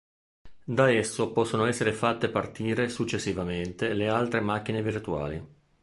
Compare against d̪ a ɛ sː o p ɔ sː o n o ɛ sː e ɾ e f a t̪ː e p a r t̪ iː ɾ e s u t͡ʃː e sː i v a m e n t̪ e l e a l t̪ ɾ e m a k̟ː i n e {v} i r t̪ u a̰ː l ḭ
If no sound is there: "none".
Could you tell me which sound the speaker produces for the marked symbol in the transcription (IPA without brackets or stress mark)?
v